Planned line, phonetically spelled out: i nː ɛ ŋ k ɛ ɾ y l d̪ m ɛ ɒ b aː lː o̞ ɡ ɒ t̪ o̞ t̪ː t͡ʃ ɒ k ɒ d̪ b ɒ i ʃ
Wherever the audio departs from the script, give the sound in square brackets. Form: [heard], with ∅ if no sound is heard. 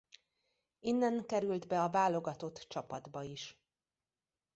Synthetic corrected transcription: i nː ɛ ŋ k ɛ ɾ y l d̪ [b] ɛ ɒ [v] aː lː o̞ ɡ ɒ t̪ o̞ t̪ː t͡ʃ ɒ [p] ɒ d̪ b ɒ i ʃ